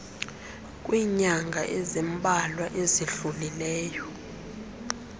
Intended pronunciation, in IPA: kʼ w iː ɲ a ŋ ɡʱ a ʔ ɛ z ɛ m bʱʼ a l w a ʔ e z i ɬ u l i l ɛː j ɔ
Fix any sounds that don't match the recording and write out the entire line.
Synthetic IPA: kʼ w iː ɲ a ŋ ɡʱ a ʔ ɛ z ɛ m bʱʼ a l w a ʔ e z i ɬ u l i l ɛː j ɔ